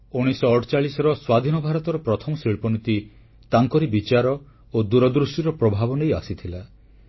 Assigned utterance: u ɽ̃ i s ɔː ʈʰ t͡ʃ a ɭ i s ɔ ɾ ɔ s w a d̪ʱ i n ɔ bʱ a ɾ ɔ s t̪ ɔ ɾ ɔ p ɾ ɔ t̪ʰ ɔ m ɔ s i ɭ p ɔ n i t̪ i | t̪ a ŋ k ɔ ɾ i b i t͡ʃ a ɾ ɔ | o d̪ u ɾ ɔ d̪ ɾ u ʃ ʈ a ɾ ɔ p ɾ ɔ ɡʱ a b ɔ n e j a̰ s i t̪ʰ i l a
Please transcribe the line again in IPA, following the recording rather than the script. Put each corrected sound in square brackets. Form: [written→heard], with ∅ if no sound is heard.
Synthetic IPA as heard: u ɽ̃ i s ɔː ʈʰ t͡ʃ a ɭ i s ɔ ɾ ɔ s w a d̪ʱ i n ɔ bʱ a ɾ ɔ [s→∅] t̪ ɔ ɾ ɔ p ɾ ɔ t̪ʰ ɔ m ɔ s i ɭ p ɔ n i t̪ i | t̪ a ŋ k ɔ ɾ i b i t͡ʃ a ɾ ɔ | o d̪ u ɾ ɔ d̪ ɾ u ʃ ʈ [a→i] ɾ ɔ p ɾ ɔ [ɡʱ→bʱ] a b ɔ n e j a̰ s i t̪ʰ i l a